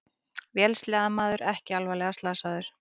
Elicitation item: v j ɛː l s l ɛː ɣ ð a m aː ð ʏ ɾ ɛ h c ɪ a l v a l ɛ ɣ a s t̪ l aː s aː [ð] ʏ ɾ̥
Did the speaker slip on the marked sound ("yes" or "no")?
no